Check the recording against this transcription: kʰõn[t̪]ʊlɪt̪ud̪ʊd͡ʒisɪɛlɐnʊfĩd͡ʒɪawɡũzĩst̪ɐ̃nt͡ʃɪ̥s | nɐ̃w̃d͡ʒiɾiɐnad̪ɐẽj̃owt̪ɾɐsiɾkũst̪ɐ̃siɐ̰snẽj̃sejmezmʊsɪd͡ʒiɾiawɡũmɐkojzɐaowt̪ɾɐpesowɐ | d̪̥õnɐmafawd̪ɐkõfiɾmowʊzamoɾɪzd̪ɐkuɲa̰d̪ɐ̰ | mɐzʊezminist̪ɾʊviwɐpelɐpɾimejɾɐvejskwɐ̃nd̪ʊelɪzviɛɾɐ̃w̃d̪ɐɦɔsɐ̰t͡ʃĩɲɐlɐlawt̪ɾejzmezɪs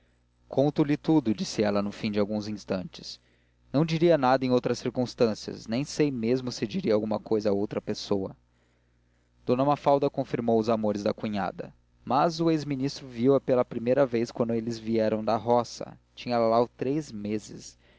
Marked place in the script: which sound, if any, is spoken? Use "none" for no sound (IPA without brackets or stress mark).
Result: t̪